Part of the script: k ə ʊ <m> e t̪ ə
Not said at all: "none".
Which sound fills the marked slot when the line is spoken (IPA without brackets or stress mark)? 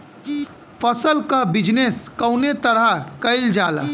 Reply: n